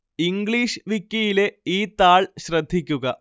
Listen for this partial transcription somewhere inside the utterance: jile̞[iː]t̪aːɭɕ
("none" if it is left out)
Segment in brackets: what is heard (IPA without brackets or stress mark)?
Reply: iː